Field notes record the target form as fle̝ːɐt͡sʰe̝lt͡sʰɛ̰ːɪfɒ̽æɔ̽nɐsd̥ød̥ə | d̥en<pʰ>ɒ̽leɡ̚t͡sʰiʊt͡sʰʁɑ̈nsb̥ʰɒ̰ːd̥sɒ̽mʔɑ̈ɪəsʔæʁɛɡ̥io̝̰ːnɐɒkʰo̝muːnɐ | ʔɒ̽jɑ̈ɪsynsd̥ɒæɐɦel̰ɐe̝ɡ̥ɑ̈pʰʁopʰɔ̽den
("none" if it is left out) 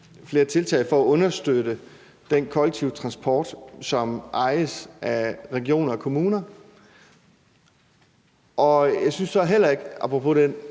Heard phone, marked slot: kʰ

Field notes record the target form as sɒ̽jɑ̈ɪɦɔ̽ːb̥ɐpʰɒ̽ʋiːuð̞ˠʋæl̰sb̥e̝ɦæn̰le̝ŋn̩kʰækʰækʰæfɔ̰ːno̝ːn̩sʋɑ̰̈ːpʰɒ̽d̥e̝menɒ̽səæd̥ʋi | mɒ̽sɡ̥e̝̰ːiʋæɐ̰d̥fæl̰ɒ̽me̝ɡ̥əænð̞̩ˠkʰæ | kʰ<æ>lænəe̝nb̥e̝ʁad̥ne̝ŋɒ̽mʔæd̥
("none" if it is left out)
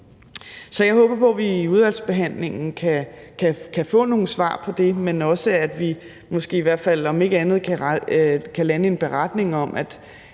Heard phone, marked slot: æ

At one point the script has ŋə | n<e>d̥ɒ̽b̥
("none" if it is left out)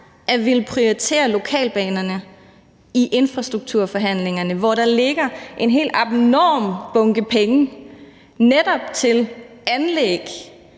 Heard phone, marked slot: e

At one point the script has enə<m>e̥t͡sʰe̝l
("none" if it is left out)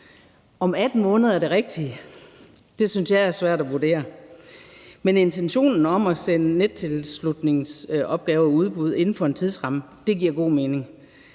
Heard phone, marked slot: n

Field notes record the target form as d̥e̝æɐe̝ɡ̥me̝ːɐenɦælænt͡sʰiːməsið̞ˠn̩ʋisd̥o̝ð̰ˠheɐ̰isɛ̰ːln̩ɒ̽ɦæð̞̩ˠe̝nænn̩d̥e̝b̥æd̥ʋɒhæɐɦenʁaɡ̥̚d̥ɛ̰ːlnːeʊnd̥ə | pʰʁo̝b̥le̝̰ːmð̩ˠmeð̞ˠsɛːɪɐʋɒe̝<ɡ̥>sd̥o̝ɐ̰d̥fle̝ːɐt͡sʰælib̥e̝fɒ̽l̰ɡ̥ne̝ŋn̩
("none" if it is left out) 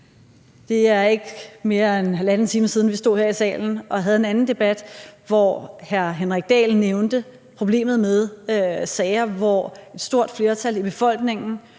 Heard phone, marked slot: d̥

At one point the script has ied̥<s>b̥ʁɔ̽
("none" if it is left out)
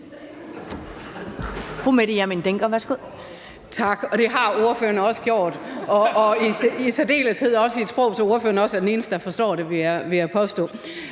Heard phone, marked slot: s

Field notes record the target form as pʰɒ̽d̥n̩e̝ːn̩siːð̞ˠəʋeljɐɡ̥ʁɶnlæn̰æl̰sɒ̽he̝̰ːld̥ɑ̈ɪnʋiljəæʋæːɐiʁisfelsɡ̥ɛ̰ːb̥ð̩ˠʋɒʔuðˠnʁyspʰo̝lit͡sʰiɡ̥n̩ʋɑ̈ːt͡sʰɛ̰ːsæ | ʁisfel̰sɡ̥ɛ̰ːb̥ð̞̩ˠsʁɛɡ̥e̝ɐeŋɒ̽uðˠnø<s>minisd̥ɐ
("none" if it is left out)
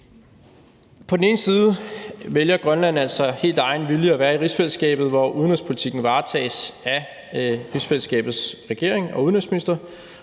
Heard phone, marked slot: s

